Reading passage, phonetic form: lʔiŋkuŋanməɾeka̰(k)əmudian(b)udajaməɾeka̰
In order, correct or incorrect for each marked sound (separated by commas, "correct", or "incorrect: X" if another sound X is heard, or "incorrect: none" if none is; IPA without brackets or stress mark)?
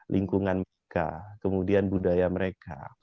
correct, correct